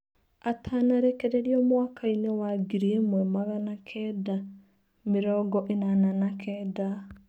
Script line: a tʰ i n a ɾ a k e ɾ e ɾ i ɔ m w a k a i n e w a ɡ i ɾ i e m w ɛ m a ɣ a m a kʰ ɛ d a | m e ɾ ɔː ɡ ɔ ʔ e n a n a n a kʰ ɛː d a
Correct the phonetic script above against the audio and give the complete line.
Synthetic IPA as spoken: a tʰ a n a ɾ e k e ɾ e ɾ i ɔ m w a k a i n e w a ɡ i ɾ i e m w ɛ m a ɣ a n a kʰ ɛ d a | m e ɾ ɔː ɡ ɔ ʔ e n a n a n a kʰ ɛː d a